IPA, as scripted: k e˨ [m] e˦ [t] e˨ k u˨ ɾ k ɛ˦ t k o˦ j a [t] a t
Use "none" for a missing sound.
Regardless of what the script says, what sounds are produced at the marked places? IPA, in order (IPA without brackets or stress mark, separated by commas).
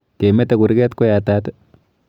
m, t, t